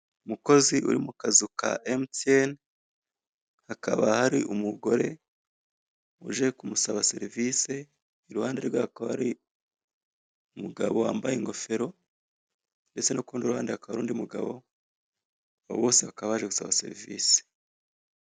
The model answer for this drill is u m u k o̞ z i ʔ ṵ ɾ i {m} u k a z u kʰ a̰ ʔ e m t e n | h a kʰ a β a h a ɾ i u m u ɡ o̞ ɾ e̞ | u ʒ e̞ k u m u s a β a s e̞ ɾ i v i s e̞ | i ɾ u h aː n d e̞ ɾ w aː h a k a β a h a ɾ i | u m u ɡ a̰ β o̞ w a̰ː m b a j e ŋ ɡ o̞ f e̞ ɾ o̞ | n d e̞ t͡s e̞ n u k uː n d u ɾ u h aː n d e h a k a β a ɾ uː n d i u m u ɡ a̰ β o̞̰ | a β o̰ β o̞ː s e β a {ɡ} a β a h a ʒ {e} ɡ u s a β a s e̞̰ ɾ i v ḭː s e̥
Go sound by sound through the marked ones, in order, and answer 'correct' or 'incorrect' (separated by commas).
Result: correct, incorrect, correct